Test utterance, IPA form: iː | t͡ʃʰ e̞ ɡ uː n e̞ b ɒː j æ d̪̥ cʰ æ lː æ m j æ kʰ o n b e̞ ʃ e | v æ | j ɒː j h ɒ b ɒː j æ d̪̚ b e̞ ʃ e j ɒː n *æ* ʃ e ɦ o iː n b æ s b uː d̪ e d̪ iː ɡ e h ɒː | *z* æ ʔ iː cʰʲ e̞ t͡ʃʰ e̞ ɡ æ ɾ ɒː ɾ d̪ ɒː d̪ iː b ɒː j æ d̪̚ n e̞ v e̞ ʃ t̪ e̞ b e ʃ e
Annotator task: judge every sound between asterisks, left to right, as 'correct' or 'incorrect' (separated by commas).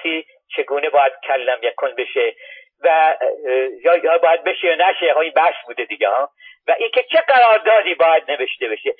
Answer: correct, incorrect